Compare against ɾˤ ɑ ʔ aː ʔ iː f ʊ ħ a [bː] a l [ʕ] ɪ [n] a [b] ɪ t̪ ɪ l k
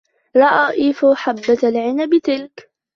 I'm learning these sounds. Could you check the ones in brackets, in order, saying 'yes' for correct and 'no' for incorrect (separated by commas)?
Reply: yes, yes, yes, yes